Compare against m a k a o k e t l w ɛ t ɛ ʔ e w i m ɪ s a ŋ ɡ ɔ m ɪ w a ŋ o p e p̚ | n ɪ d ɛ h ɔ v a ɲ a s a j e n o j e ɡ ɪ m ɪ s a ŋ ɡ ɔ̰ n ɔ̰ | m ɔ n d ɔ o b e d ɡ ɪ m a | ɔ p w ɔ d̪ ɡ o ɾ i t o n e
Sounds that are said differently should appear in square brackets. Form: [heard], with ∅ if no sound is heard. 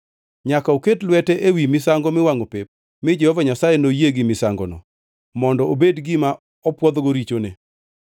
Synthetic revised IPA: [ɲ] a k a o k e t l w ɛ t ɛ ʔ e w i m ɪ s a ŋ ɡ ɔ m ɪ w a ŋ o p e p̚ | [m] ɪ [d͡ʒ] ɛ h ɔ v a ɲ a s a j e n o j e ɡ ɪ m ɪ s a ŋ ɡ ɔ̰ n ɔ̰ | m ɔ n d ɔ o b e d ɡ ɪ m a | ɔ p w ɔ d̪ ɡ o ɾ i [t͡ʃ] o n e